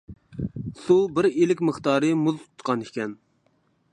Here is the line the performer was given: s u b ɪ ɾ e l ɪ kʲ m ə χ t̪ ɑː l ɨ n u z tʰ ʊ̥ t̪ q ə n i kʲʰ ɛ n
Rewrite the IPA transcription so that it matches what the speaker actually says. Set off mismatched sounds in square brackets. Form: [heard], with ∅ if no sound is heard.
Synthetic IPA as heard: s u b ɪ ɾ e l ɪ kʲ m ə χ t̪ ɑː [ɾ] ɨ [m] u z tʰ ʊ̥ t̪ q [ɑ] n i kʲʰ ɛ n